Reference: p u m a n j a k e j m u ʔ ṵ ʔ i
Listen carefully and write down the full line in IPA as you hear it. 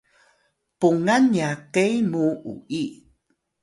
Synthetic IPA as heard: p u ŋ a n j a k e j m u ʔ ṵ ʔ i